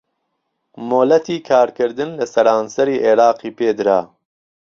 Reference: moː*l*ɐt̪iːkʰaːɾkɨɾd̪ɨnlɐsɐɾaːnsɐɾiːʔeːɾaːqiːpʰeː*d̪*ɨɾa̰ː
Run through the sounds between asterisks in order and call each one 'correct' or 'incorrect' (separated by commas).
correct, correct